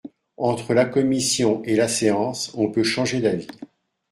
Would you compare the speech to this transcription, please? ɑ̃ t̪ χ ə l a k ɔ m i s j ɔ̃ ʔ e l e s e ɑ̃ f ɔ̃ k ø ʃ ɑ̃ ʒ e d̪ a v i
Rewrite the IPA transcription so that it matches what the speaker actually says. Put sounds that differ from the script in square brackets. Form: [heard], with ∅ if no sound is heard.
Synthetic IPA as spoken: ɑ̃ t̪ χ ə l a k ɔ m i s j ɔ̃ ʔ e l [a] s e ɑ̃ [s] ɔ̃ [p] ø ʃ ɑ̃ ʒ e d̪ a v i

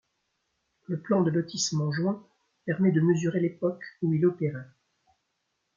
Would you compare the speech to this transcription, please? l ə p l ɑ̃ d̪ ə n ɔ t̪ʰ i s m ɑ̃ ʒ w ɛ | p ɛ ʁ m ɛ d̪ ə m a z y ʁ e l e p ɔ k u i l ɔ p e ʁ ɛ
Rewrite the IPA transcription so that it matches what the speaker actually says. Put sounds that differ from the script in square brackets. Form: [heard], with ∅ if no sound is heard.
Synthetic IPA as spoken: l ə p l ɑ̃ d̪ ə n ɔ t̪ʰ i s m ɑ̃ ʒ w [ɛ̃] | p ɛ ʁ m ɛ d̪ ə m [ə] z y ʁ e l e p ɔ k u i l ɔ p e ʁ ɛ

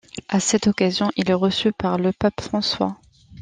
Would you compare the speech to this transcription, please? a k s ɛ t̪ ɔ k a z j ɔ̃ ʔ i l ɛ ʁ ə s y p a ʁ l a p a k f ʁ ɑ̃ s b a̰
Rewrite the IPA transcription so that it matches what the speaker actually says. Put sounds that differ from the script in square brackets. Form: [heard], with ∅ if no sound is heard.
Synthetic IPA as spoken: a [∅] s ɛ t̪ ɔ k a z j ɔ̃ ʔ i l ɛ ʁ ə s y p a ʁ l [ə] p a [p] f [χ] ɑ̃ s [w] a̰

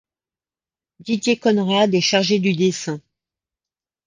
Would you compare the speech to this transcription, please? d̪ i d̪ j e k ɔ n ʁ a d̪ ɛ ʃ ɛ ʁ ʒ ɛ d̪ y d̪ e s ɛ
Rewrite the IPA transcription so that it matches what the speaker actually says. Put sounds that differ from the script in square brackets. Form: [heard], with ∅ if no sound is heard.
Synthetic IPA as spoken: d̪ i d̪ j e k ɔ n ʁ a d̪ ɛ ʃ [a] ʁ ʒ [e] d̪ y d̪ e s [ɛ̃]

